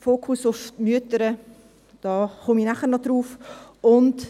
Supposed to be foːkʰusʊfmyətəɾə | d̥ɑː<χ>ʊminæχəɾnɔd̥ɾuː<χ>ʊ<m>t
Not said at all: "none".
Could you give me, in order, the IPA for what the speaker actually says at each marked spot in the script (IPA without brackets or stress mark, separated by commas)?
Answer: χ, f, n